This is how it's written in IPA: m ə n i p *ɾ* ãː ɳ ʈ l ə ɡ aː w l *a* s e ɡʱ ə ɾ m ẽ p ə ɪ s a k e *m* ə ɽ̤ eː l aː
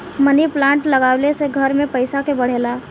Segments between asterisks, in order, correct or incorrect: incorrect: l, incorrect: e, incorrect: b

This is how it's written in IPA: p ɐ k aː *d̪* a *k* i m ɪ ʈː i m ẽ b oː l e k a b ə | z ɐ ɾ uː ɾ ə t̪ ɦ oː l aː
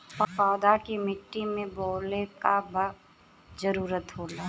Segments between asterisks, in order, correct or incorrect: correct, correct

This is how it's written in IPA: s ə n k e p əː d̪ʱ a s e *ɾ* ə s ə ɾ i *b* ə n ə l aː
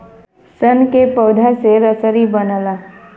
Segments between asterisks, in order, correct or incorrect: correct, correct

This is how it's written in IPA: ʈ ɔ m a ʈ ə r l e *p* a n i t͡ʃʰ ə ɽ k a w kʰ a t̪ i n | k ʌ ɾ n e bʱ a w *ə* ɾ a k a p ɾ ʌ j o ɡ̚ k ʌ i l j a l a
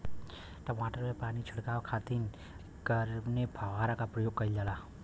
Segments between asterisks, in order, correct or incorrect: correct, incorrect: a

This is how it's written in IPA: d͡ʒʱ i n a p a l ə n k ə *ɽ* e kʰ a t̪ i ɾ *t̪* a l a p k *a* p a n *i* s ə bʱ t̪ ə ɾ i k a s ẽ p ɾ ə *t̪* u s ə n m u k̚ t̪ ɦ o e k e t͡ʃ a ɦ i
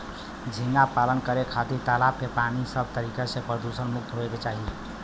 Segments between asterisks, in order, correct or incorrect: incorrect: ɾ, correct, incorrect: e, correct, incorrect: d̪

